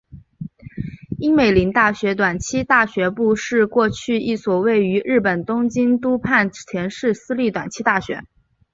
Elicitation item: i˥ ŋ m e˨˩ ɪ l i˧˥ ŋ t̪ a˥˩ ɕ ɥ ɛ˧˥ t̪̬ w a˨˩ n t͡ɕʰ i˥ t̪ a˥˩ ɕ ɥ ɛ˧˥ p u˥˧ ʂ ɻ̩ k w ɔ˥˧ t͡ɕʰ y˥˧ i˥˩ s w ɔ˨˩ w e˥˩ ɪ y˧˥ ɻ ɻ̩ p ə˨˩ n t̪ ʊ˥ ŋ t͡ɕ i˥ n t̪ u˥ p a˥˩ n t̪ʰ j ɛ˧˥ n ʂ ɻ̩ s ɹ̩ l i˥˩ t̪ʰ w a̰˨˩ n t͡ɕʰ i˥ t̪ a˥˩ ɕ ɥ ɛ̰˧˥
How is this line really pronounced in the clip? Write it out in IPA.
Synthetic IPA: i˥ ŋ m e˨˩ ɪ l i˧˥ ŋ t̪ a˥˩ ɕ ɥ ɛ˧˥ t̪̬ w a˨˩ n t͡ɕʰ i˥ t̪ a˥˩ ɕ ɥ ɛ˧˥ p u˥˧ ʂ ɻ̩ k w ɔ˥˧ t͡ɕʰ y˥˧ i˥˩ s w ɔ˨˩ w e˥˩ ɪ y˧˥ ɻ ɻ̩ p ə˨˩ n t̪ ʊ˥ ŋ t͡ɕ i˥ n t̪ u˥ pʰ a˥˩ n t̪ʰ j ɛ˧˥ n ʂ ɻ̩ s ɹ̩ l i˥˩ t̪ w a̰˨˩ n t͡ɕʰ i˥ t̪ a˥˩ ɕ ɥ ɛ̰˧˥